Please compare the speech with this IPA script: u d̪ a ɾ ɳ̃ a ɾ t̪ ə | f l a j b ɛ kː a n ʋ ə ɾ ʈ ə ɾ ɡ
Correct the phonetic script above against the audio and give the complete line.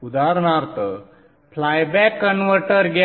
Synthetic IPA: u d̪ a ɾ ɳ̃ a ɾ t̪ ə | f l a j b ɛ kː ə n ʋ ə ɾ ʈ ə ɾ ɡ

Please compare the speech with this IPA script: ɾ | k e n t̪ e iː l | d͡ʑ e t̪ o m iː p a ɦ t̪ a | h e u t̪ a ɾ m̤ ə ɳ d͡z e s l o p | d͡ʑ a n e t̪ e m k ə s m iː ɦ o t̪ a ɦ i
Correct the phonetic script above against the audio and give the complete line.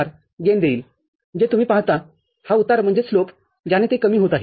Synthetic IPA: ɾ | ɡ e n d̪ e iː l | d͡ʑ e t̪ u m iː p a ɦ t̪ a | h a u t̪ a ɾ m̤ ə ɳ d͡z e s l o p | d͡ʑ a n e t̪ e k ə m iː ɦ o t̪ a ɦ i

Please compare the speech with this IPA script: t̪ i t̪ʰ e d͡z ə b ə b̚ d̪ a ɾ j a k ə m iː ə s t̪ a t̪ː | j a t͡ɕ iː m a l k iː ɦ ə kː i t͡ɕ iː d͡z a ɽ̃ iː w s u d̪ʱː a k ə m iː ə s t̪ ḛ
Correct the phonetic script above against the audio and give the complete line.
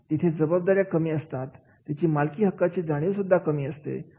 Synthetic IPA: t̪ i t̪ʰ e d͡z ə b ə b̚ d̪ a ɾ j a k ə m iː ə s t̪ a t̪ː | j a t͡ɕ iː m a l k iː ɦ ə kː a t͡ɕ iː d͡z a ɽ̃ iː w s u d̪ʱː a k ə m iː ə s t̪ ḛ

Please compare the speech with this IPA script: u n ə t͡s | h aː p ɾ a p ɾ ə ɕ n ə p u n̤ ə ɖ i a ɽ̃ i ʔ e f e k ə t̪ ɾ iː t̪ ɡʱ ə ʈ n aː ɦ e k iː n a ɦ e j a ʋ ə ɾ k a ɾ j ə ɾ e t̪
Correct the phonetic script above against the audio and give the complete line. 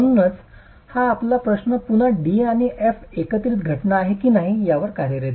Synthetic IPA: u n ə t͡s | h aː p l a p ɾ ə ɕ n ə p u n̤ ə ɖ i a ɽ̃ i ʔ e f e k ə t̪ ɾ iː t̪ ɡʱ ə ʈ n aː ɦ e k iː n a ɦ i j a ʋ ə ɾ k a ɾ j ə ɾ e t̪

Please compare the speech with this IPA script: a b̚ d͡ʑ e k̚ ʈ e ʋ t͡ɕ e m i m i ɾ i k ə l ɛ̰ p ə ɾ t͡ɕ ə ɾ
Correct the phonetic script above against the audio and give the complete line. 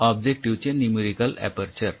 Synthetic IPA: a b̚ d͡ʑ e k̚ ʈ i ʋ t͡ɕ e n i m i ɾ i k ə l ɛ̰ p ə ɾ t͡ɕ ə ɾ

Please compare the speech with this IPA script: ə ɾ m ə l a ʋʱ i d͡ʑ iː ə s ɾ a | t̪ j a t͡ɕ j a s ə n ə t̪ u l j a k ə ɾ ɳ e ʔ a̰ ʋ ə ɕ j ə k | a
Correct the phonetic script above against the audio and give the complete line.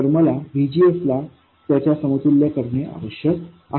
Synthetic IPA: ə ɾ m ə l a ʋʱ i d͡ʑ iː ə s l a | t̪ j a t͡ɕ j a s ə m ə t̪ u l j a k ə ɾ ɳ e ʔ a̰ ʋ ə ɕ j ə k | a

